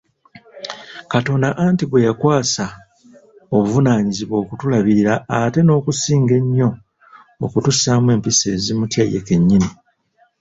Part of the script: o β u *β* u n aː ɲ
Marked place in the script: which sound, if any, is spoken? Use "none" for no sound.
v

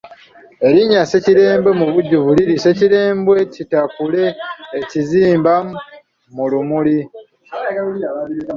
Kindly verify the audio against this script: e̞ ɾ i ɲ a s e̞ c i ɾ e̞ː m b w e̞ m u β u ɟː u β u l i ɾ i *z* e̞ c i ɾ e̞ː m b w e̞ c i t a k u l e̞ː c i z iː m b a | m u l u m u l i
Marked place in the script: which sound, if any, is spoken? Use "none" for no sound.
s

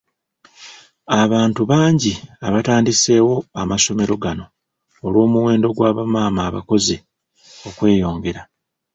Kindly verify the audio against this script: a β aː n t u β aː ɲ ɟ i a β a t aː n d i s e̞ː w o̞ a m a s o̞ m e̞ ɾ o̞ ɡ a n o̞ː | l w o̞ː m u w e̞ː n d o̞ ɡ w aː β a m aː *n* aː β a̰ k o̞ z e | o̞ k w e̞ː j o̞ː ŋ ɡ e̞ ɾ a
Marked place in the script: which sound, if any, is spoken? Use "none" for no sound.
m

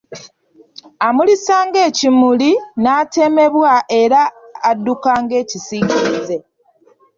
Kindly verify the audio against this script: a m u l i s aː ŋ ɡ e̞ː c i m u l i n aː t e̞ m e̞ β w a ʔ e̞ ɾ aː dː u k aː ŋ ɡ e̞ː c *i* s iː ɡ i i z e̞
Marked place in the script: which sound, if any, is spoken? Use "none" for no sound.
i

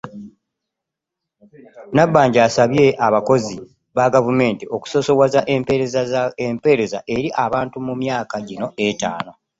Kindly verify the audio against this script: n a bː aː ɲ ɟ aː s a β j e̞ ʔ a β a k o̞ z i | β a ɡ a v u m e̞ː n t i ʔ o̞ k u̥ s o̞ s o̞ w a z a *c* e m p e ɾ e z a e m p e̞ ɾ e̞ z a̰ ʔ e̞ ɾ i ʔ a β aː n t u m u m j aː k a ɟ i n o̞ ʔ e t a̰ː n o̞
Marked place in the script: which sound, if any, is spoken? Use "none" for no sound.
ʔ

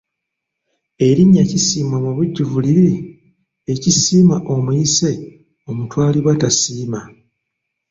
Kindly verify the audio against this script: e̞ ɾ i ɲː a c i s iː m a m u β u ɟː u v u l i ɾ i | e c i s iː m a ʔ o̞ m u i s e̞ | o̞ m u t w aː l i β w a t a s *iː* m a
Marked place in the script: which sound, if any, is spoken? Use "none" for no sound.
iː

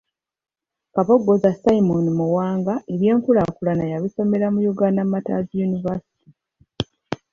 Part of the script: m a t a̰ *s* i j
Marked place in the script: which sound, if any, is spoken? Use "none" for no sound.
z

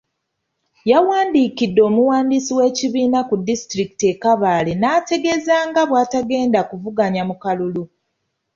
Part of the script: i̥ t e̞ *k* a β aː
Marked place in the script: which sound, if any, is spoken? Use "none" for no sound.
k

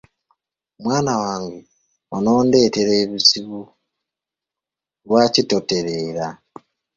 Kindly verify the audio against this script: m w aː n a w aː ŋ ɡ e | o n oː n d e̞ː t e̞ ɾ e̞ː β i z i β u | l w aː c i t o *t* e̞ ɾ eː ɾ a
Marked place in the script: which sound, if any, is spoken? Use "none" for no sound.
t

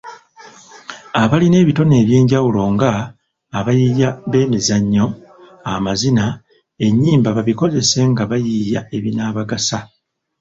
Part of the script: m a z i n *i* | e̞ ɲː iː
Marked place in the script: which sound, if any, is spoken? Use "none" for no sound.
a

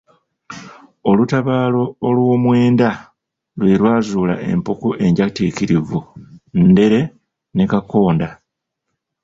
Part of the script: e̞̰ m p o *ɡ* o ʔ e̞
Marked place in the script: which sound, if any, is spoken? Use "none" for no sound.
k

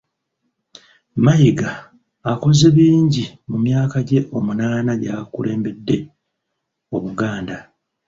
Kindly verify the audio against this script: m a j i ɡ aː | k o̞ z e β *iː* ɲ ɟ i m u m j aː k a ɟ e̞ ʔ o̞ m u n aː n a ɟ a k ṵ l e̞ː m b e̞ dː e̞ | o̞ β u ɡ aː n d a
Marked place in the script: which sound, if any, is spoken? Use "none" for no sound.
iː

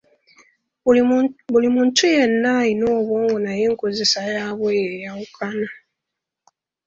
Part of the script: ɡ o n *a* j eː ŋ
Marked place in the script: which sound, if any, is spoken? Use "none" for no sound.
a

